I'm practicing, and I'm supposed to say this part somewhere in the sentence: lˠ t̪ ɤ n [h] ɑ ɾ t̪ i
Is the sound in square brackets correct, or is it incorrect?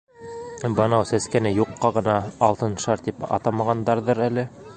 incorrect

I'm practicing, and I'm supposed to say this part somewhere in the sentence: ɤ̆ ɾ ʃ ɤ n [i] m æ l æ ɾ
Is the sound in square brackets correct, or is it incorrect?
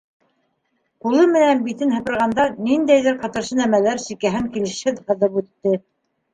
incorrect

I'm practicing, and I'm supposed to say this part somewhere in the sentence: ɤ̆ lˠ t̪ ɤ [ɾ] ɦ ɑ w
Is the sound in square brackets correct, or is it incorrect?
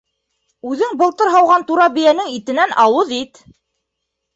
correct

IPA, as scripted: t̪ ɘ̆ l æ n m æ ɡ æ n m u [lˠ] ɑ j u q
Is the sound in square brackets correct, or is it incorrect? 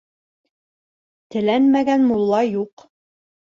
incorrect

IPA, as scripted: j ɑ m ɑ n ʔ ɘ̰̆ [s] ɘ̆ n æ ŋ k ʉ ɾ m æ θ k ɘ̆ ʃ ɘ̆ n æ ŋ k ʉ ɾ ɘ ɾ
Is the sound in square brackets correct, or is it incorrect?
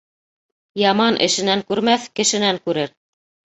incorrect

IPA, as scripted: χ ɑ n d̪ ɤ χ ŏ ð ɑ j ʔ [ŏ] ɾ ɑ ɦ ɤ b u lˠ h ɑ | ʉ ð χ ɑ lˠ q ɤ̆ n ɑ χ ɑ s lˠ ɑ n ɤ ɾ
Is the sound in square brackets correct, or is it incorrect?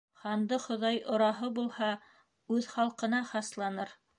correct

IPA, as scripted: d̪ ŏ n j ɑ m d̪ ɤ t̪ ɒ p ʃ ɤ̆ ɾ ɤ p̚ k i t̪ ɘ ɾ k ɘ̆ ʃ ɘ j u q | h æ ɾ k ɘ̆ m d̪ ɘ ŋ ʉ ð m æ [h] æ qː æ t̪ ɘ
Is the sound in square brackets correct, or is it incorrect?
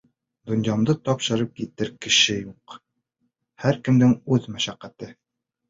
incorrect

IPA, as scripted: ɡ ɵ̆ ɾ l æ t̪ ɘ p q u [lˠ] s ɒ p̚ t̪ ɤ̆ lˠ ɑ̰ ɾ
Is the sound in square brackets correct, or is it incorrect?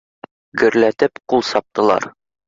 correct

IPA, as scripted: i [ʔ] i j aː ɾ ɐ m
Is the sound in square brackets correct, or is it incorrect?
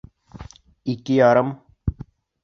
incorrect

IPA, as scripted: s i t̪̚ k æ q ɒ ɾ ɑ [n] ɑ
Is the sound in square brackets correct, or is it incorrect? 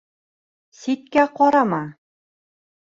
incorrect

